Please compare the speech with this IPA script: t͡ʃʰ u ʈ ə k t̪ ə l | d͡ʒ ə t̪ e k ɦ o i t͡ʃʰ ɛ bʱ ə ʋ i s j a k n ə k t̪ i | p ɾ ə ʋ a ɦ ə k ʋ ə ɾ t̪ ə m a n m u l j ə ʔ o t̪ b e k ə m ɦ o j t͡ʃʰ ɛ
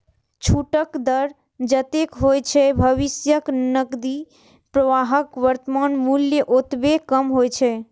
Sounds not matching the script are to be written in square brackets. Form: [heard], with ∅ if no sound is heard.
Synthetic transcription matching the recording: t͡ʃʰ u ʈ ə k [d̪] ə [ɾ] | d͡ʒ ə t̪ e k ɦ o [j] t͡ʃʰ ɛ bʱ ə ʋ i s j [ə] k n ə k [d̪] i | p ɾ ə ʋ a ɦ ə k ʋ ə ɾ t̪ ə m a n m u l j ə ʔ o t̪ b e k ə m ɦ o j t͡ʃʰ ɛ